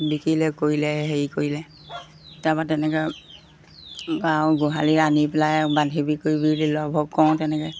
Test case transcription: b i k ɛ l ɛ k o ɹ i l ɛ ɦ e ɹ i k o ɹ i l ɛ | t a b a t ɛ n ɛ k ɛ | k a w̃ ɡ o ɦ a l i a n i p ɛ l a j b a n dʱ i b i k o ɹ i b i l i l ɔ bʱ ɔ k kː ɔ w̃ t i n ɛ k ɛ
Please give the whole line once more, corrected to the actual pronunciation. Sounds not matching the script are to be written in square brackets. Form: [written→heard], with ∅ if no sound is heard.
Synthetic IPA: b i k [ɛ→i] l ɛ k o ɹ i l ɛ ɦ e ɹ i k o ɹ i l ɛ | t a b a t ɛ n ɛ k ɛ | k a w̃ ɡ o ɦ a l i a n i p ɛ l a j b a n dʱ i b i k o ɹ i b i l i l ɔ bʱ ɔ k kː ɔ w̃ t [i→ɛ] n ɛ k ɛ